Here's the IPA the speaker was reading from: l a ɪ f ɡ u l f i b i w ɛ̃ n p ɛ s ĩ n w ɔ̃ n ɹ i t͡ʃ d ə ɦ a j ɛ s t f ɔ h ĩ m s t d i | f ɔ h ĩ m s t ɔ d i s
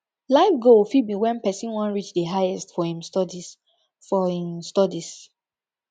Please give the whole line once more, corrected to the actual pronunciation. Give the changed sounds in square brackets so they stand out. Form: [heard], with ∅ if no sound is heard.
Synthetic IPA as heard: l a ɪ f ɡ [o] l f i b i w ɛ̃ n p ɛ s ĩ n w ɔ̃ n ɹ i t͡ʃ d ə ɦ a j ɛ s t f ɔ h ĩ m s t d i | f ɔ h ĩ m s t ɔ d i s